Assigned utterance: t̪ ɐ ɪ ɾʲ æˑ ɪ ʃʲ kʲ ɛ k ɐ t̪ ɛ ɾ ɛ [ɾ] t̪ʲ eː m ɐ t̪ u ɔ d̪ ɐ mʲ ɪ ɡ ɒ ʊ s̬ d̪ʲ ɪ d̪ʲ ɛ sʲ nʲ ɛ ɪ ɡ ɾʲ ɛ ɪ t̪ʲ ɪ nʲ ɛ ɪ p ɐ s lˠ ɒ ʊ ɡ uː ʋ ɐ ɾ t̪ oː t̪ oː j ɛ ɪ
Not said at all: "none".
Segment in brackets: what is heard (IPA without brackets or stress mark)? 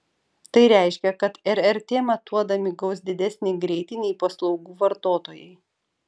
ɾ